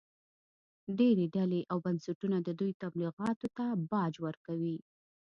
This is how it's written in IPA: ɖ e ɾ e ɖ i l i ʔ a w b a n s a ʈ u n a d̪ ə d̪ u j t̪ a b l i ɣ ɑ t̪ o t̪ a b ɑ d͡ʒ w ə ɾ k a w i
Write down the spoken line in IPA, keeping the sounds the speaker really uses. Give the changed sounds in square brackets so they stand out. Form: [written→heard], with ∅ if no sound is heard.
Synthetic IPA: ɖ e ɾ e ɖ [i→a] l [i→e] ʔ a w b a n s a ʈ u n a d̪ ə d̪ u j t̪ a b l i ɣ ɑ t̪ o t̪ a b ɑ d͡ʒ w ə ɾ k a w i